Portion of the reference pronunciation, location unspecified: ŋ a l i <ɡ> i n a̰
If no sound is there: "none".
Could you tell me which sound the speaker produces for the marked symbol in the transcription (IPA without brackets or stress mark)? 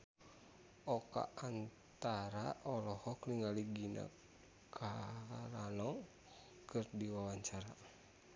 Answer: ɡ